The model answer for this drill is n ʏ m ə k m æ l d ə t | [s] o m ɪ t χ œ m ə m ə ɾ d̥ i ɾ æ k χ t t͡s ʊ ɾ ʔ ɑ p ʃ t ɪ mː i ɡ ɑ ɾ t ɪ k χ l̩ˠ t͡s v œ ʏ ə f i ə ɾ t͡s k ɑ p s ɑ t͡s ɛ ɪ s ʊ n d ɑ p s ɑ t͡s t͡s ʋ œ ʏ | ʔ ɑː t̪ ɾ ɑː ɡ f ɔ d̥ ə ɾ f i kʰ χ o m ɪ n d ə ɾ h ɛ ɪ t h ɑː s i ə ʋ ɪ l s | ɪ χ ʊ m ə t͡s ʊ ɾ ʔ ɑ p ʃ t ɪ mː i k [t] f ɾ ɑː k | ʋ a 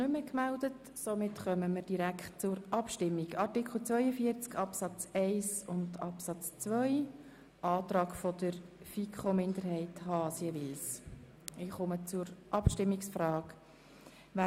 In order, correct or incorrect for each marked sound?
correct, incorrect

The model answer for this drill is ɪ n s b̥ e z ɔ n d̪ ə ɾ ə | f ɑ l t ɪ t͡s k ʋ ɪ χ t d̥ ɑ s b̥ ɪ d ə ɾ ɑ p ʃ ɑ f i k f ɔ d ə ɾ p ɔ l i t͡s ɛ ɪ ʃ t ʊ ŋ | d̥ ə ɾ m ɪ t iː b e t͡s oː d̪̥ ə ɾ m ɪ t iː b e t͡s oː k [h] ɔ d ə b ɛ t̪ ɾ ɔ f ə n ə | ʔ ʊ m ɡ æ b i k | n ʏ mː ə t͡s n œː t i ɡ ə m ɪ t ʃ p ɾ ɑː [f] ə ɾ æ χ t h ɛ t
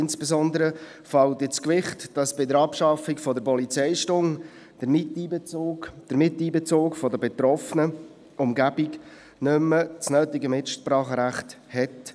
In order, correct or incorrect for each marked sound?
incorrect, incorrect

